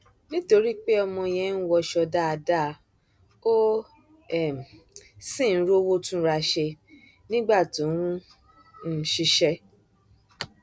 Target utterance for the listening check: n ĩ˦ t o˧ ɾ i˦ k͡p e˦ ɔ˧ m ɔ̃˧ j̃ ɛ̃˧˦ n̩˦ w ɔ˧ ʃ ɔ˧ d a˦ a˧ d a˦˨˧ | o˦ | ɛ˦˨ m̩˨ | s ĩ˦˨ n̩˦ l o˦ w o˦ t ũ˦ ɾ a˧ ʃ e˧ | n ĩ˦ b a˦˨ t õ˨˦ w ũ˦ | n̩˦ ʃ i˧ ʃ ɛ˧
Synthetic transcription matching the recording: n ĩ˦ t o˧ ɾ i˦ k͡p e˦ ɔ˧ m ɔ̃˧ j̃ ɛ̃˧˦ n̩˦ w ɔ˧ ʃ ɔ˧ d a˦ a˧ d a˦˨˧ | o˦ | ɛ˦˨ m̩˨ | s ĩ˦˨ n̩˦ ɾ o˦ w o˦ t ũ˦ ɾ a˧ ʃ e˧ | n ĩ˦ ɡ͡b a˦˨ t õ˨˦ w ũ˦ | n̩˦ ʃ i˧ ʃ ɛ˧